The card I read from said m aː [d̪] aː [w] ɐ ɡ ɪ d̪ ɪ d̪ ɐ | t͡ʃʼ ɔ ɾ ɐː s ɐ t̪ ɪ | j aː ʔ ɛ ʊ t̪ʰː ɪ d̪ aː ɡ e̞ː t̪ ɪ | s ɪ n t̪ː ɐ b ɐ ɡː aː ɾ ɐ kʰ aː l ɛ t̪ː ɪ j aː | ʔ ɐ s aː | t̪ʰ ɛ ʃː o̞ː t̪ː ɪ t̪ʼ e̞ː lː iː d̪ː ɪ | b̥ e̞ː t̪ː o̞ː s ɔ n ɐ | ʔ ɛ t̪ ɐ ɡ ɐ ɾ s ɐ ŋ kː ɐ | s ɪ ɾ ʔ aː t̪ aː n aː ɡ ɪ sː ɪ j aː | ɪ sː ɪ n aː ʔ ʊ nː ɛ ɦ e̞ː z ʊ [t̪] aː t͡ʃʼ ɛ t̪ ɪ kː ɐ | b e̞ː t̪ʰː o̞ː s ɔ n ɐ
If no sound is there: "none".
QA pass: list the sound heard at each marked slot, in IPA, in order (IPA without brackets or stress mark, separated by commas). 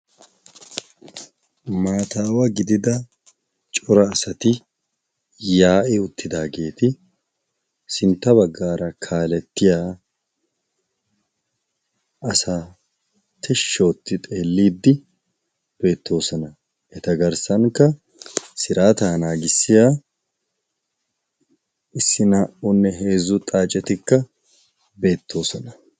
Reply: t̪, w, t̪ʼ